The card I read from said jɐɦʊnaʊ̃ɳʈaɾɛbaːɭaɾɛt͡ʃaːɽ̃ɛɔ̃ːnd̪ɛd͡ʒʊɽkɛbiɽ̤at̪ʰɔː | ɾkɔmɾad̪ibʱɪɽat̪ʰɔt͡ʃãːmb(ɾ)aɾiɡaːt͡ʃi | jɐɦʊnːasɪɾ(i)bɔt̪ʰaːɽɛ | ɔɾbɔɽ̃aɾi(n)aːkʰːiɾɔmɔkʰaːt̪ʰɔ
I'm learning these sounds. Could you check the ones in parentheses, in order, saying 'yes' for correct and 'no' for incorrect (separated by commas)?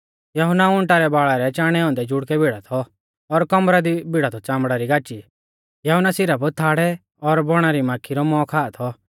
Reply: no, no, no